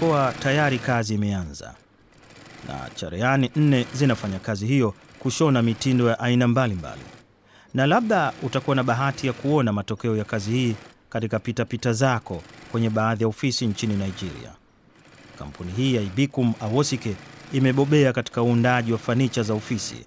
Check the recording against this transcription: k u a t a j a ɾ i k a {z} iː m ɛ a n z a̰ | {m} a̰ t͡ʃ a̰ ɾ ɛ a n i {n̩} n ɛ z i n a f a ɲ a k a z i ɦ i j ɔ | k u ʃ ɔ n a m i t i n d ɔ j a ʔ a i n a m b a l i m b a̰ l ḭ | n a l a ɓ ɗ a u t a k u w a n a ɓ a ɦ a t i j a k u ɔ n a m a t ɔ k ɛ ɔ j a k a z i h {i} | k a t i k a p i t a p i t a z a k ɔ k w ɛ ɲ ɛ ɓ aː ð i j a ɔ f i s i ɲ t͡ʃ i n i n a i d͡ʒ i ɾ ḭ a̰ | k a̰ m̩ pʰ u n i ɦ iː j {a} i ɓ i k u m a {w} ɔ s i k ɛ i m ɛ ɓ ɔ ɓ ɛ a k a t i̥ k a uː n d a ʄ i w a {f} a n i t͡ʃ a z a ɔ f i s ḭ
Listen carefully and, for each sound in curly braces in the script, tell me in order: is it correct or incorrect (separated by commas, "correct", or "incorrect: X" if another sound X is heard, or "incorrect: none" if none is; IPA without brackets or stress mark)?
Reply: correct, incorrect: n, correct, incorrect: iː, correct, correct, correct